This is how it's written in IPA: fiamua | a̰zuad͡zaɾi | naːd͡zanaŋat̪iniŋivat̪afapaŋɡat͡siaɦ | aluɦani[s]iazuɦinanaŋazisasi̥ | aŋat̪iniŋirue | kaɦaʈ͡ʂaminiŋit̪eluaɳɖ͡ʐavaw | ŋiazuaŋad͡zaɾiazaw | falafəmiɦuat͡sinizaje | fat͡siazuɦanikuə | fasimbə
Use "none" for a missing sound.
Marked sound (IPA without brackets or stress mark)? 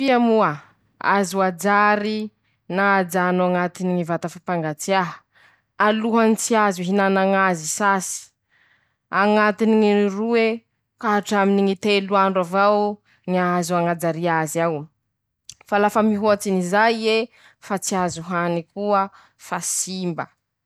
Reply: t͡s